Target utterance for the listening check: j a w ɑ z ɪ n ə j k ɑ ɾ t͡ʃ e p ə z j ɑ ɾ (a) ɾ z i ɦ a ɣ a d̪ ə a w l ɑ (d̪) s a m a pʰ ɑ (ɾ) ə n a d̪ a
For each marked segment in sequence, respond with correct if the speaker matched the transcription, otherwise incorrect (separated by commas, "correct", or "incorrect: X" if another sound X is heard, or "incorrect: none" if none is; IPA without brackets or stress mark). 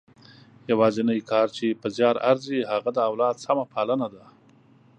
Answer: correct, correct, incorrect: l